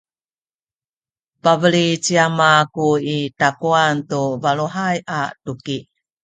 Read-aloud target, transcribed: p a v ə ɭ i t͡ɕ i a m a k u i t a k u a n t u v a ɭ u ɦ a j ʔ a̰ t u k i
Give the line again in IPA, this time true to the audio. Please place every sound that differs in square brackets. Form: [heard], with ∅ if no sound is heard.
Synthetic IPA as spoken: p a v ə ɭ i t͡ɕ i a m a k u i t a k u a n t u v a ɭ u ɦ a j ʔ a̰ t u k i